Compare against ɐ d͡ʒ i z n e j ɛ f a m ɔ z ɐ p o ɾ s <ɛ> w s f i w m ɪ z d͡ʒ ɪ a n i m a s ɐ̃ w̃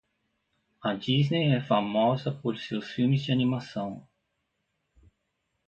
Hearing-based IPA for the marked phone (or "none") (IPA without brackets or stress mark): e